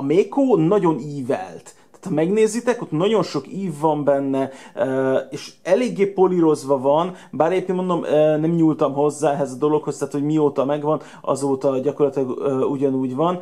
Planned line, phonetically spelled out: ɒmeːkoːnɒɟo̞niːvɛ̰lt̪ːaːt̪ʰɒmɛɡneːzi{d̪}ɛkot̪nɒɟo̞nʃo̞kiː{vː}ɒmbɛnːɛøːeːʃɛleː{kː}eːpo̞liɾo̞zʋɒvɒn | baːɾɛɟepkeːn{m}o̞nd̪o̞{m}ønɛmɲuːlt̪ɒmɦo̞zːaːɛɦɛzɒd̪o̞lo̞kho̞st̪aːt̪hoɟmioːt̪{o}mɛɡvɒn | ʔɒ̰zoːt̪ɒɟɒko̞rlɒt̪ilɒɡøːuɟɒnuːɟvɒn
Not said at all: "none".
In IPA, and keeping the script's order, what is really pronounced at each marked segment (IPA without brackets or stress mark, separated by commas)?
t̪, vː, ɡː, m, m, ɒ